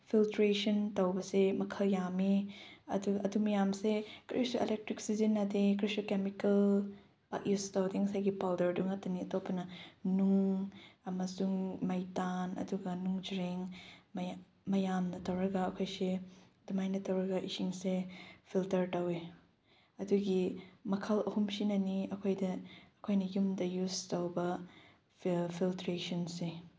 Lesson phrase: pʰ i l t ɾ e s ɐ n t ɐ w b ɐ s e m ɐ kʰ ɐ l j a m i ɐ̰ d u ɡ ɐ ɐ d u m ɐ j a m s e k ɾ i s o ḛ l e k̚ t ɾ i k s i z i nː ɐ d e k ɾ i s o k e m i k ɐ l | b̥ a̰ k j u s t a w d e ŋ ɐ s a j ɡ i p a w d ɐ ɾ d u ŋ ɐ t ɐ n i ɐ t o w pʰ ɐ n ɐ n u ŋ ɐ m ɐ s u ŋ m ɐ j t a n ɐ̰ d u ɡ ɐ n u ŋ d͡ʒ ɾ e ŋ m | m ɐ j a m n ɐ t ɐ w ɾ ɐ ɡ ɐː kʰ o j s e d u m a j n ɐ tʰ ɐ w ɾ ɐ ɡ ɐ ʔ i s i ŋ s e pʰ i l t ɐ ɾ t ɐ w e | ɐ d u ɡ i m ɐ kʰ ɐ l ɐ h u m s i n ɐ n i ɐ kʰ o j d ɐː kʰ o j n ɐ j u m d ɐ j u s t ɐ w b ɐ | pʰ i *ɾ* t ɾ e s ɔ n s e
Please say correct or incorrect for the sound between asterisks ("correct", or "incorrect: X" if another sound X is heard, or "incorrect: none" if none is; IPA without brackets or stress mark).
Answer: incorrect: l